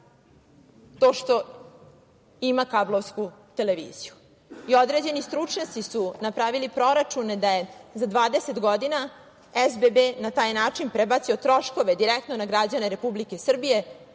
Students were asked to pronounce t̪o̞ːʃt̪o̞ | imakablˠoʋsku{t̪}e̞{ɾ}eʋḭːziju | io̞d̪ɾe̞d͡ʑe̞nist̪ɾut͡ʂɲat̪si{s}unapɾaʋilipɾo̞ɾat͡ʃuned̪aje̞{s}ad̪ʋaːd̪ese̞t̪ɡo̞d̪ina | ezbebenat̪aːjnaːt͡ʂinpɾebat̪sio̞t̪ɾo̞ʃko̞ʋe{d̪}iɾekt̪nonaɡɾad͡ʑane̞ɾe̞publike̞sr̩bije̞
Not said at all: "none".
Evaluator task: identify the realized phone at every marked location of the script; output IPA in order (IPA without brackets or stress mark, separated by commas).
t̪, l, s, z, d̪